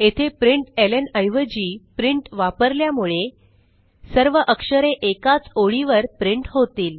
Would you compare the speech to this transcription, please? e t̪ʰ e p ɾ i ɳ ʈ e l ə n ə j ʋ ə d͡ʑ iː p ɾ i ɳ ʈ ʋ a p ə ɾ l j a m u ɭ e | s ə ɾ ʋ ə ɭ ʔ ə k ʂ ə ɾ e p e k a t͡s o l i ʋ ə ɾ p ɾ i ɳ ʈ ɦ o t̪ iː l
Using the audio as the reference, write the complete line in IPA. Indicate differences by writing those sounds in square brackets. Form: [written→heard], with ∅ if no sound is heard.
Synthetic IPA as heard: e t̪ʰ e p ɾ i ɳ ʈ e l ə n ə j ʋ ə d͡ʑ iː p ɾ i ɳ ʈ ʋ a p ə ɾ l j a m u ɭ e | s ə ɾ ʋ ə [ɭ→∅] ʔ ə k ʂ ə ɾ e [p→ʔ] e k a t͡s o [l→ɭ] i ʋ ə ɾ p ɾ i ɳ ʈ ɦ o t̪ iː l